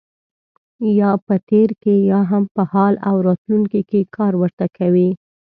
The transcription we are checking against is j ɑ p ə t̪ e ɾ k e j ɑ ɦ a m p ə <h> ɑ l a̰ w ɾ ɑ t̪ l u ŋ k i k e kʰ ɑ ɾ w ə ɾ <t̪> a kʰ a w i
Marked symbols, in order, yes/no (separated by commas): yes, yes